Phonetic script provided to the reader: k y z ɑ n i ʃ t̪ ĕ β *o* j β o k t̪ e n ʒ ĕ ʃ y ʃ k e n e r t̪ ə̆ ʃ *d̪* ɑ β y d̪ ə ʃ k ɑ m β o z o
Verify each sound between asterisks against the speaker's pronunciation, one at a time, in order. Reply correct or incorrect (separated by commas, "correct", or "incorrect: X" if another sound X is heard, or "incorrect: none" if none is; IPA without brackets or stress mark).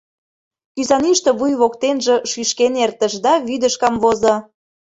incorrect: u, correct